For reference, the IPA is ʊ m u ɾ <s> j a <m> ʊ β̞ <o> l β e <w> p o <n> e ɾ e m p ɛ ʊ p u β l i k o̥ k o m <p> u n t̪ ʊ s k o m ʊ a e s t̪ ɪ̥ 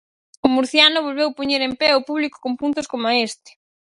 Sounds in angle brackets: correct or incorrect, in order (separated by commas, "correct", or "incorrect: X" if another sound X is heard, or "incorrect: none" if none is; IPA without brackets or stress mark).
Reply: incorrect: θ, incorrect: n, correct, correct, incorrect: ɲ, correct